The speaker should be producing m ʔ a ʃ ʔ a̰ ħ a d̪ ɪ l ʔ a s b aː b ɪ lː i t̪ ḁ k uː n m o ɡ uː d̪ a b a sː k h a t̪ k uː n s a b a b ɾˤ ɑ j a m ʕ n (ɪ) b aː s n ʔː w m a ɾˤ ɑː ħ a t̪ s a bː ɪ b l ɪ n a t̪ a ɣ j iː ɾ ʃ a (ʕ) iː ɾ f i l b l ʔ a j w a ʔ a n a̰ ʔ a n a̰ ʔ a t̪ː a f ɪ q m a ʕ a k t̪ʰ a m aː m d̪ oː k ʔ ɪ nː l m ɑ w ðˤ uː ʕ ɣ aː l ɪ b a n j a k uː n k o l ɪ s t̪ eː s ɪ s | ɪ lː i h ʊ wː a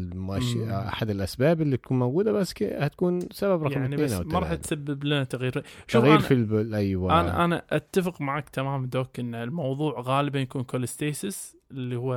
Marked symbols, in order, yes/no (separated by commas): no, no